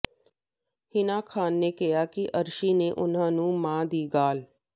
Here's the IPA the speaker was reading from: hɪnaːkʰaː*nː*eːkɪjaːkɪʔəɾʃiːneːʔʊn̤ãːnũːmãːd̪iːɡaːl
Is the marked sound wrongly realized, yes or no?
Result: no